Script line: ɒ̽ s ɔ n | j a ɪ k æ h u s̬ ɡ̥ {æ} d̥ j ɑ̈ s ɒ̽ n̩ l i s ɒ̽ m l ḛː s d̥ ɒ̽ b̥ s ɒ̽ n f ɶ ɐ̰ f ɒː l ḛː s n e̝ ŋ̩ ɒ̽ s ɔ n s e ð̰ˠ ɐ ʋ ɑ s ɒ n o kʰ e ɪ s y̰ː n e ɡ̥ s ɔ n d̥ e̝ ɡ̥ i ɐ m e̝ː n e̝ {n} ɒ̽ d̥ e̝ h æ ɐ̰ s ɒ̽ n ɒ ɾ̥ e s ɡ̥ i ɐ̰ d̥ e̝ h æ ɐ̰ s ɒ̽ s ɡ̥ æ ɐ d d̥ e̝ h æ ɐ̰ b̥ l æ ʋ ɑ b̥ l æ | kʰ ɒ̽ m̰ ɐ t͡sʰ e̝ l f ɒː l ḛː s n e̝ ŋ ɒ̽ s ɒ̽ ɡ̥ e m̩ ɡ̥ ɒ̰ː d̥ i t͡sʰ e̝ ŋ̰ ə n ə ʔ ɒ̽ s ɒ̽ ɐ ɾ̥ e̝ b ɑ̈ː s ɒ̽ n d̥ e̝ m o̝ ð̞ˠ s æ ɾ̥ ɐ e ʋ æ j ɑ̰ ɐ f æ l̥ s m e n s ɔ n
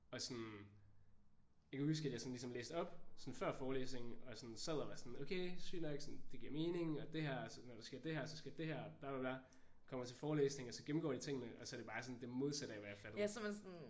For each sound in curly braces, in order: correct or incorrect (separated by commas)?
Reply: correct, incorrect